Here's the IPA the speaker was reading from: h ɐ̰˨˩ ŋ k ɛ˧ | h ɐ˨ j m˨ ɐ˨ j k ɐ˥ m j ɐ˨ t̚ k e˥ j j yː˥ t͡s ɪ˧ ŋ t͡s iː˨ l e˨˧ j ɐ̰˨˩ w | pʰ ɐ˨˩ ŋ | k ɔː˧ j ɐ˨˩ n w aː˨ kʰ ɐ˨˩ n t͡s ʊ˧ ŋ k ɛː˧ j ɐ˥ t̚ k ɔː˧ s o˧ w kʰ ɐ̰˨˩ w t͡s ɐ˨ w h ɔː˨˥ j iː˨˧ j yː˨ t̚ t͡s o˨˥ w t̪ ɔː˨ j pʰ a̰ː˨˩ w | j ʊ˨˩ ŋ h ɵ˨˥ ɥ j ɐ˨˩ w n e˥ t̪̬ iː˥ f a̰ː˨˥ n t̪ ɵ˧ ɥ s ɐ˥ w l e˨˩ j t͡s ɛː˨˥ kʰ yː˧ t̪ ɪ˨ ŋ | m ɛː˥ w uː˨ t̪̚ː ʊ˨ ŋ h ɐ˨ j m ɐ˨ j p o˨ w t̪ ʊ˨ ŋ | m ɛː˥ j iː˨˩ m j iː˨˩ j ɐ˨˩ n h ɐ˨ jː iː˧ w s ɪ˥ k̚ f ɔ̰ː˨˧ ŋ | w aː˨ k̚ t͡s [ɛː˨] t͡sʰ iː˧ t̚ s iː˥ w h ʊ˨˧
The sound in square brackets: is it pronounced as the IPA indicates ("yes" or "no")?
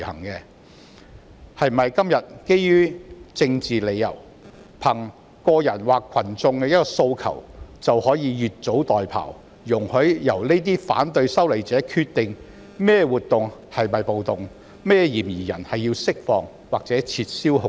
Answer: no